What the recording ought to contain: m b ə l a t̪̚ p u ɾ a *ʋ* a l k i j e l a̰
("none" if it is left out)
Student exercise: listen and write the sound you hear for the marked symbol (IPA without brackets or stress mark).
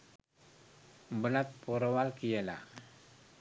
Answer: w